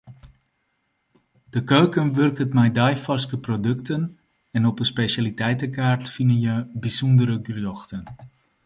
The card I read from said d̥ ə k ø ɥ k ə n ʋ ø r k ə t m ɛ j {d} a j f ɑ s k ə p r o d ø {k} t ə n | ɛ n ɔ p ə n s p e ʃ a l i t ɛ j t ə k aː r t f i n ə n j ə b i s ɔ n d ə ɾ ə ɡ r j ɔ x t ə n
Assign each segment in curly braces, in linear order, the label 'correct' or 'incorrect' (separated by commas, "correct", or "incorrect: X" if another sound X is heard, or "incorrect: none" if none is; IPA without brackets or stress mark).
correct, correct